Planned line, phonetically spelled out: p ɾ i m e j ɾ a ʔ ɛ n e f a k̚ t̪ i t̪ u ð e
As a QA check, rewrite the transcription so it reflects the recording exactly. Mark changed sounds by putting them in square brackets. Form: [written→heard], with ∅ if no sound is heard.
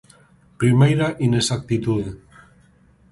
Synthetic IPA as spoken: p ɾ i m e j ɾ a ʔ [ɛ→i] n e [f→s] a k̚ t̪ i t̪ u ð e